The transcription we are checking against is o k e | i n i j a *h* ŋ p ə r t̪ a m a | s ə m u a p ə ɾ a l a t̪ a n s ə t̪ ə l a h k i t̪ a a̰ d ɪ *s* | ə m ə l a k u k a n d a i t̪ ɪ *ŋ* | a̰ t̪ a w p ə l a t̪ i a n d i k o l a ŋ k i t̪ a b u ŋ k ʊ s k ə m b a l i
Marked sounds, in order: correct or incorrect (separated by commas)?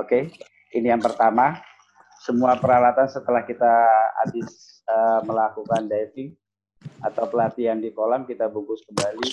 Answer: incorrect, correct, correct